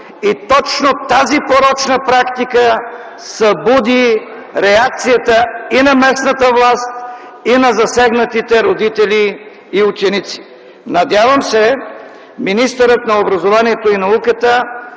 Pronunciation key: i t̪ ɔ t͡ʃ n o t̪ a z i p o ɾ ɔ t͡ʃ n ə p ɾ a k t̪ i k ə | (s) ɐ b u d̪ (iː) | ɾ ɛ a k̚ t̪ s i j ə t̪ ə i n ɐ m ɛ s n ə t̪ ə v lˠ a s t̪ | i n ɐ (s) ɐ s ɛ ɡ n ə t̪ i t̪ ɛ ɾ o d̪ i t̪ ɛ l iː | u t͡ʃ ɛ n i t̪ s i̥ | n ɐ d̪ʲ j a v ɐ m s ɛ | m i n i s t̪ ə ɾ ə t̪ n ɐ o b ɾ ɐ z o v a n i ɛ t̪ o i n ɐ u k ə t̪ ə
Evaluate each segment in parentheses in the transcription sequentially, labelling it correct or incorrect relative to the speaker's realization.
correct, incorrect: i, incorrect: z

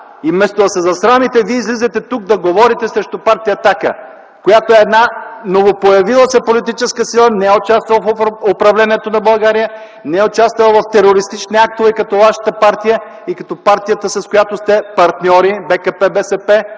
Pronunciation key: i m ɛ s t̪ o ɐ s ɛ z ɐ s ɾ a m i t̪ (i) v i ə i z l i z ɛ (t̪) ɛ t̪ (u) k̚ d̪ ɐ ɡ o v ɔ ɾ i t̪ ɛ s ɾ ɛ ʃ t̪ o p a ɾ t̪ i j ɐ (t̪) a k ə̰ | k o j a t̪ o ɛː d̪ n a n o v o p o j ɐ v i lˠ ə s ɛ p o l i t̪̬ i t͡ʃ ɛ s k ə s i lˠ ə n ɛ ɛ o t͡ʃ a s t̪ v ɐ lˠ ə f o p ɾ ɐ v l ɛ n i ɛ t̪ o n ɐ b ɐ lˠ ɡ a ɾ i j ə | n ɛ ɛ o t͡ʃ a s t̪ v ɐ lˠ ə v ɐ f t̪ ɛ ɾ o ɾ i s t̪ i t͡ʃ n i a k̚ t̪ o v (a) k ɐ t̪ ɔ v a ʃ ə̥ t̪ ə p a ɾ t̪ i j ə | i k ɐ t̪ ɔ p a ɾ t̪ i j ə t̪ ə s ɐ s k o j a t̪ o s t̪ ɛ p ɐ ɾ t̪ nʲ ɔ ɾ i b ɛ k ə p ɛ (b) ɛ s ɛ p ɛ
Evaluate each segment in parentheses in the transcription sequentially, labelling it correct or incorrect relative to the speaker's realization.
incorrect: ɛ, correct, correct, correct, incorrect: ɛ, correct

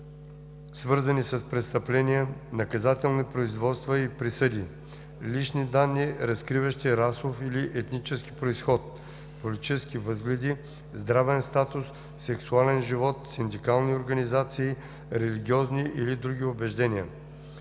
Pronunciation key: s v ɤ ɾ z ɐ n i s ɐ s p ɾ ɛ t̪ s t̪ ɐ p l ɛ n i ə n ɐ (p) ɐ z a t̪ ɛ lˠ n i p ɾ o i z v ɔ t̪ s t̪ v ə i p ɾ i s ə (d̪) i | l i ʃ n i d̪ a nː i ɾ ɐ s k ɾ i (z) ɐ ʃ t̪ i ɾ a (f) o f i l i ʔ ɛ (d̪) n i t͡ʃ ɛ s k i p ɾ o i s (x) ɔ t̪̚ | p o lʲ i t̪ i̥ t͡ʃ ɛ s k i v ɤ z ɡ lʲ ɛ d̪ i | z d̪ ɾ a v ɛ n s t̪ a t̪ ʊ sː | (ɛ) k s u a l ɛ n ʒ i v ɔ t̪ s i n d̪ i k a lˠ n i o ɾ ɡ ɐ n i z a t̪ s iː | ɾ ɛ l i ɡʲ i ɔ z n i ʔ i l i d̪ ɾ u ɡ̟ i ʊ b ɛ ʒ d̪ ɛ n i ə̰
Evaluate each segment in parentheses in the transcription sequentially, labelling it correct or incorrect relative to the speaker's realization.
incorrect: k, correct, incorrect: v, incorrect: s, incorrect: t̪, correct, correct

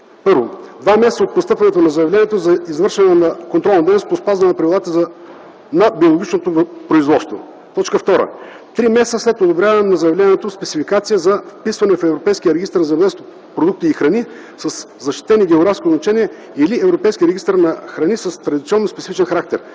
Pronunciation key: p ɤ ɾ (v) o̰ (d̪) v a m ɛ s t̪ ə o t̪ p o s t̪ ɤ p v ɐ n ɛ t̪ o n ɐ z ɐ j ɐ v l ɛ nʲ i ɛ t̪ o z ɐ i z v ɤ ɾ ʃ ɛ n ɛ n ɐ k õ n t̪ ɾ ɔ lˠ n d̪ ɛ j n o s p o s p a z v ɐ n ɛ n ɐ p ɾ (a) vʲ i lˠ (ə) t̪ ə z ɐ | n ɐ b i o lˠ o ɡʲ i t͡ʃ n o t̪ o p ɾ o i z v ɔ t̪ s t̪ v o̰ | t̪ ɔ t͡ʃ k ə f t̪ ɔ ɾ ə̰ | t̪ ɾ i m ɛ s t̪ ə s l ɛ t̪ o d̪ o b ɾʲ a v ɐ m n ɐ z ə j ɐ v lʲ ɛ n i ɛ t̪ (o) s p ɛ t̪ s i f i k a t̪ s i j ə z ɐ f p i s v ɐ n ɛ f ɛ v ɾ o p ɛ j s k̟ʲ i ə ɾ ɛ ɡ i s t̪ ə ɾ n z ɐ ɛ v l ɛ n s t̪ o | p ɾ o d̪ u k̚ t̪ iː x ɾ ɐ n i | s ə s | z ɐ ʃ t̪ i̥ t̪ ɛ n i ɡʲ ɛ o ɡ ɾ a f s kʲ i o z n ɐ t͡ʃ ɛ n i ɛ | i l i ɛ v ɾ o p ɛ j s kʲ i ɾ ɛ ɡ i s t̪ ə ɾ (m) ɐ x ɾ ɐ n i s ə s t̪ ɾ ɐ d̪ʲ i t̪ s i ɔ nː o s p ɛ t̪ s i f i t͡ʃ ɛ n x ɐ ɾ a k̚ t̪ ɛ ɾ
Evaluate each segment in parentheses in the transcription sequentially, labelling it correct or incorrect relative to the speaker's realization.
correct, correct, incorrect: ɐ, incorrect: a, correct, incorrect: n

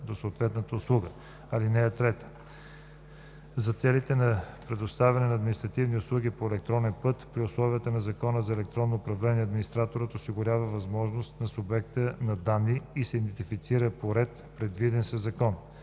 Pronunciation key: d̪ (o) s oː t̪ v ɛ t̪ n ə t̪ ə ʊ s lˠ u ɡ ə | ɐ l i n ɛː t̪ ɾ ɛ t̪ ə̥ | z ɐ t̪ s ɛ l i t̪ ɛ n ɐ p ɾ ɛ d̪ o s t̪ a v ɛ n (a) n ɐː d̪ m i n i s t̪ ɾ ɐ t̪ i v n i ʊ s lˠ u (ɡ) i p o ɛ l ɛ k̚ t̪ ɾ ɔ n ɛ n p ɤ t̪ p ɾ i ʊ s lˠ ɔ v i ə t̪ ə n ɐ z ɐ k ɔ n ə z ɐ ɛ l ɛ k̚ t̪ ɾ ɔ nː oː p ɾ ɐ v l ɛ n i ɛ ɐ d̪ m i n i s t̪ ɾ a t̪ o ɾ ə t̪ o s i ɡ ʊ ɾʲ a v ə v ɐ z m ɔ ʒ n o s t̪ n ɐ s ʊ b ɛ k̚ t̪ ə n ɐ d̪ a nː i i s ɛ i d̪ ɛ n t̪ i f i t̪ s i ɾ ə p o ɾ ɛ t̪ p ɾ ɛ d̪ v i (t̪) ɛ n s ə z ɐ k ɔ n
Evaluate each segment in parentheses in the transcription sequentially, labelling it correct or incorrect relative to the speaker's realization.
correct, incorrect: ɛ, correct, incorrect: d̪

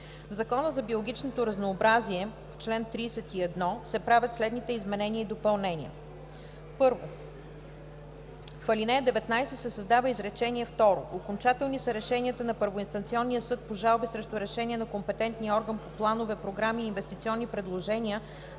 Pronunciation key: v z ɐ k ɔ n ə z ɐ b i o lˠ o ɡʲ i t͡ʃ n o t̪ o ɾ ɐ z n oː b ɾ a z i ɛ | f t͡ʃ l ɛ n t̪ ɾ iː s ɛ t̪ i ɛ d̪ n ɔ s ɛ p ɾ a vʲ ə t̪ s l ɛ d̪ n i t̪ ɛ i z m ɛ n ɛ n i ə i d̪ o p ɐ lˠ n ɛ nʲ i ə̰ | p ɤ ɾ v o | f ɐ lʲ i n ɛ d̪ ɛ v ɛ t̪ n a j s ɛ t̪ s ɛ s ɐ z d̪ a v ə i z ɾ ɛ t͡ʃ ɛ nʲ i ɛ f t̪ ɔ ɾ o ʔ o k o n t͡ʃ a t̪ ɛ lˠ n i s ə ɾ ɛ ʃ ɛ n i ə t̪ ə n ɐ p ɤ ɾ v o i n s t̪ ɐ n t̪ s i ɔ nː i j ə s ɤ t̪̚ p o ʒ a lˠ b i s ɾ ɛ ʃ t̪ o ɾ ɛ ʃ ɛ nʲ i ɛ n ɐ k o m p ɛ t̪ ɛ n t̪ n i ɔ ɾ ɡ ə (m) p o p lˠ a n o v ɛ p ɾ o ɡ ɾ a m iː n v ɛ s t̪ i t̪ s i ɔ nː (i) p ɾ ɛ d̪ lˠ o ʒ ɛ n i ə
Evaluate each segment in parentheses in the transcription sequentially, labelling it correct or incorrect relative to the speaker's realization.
incorrect: n, correct

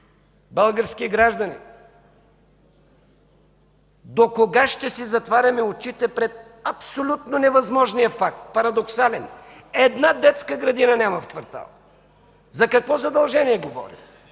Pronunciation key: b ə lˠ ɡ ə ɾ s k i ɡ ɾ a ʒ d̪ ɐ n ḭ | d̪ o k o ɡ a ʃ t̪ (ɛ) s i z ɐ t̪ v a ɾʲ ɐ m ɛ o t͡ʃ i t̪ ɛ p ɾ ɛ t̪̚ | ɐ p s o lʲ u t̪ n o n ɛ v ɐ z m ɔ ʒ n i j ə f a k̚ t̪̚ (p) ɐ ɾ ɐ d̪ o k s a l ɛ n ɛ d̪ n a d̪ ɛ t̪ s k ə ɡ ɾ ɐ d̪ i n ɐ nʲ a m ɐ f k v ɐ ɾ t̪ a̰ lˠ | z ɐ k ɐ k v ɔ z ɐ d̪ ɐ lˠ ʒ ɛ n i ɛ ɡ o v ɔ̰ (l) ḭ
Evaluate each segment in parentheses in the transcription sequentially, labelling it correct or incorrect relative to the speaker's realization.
correct, correct, incorrect: ɾ

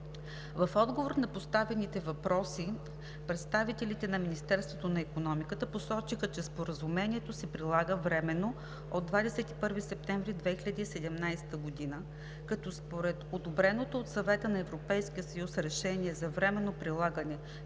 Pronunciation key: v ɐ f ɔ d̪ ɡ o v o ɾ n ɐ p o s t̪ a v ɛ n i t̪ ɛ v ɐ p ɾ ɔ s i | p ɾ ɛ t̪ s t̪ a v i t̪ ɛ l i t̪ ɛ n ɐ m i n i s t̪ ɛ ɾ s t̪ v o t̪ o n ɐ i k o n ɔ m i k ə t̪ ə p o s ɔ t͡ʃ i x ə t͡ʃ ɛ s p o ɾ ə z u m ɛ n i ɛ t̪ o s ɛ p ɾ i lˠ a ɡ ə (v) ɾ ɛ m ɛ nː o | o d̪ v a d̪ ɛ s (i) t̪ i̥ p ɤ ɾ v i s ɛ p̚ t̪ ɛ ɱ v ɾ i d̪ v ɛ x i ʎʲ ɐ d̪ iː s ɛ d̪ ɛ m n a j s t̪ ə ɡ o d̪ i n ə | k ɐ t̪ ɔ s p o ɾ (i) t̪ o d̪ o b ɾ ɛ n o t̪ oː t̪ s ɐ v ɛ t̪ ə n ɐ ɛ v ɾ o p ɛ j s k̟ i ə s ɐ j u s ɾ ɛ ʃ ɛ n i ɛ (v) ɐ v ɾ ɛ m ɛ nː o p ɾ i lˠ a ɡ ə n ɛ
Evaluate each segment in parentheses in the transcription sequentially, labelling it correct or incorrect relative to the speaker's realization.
correct, incorrect: ɛ, incorrect: ɛ, incorrect: z

